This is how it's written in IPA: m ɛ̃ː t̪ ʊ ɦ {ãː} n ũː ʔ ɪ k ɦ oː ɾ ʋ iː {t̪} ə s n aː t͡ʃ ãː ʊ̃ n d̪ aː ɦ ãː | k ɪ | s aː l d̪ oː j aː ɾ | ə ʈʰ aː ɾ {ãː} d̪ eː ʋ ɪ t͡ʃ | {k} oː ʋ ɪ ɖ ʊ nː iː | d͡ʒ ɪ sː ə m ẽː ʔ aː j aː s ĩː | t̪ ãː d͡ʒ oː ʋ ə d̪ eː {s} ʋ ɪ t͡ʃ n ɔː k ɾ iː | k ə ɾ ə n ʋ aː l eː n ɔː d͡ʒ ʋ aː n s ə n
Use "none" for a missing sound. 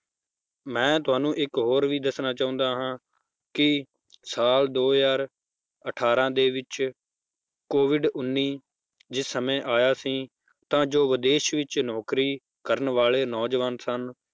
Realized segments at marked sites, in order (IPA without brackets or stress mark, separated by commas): aː, d̪, ãː, k, ʃ